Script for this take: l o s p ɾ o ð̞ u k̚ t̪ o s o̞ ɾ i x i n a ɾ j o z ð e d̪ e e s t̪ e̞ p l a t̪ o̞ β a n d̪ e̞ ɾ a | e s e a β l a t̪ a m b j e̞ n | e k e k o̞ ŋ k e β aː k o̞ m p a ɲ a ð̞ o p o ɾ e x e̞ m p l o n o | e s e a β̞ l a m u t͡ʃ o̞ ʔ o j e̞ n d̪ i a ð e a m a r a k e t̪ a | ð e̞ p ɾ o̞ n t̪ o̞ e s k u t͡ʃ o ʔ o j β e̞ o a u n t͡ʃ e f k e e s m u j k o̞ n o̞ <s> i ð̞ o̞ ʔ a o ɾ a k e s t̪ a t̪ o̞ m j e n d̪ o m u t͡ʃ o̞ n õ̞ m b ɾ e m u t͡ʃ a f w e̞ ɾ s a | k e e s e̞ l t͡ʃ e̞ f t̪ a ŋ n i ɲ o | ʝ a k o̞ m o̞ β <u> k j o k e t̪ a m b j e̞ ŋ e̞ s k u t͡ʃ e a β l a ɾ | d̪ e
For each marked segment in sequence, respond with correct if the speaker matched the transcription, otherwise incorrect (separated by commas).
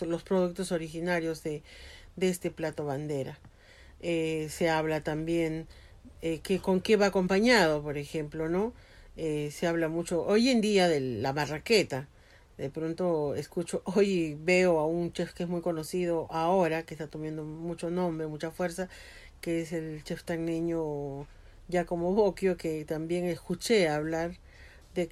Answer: correct, incorrect